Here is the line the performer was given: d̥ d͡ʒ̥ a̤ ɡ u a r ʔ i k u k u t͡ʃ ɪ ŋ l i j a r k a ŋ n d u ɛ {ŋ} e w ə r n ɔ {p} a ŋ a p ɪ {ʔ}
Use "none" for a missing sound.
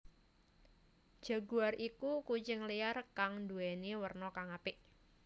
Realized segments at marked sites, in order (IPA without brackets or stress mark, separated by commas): n, k, ʔ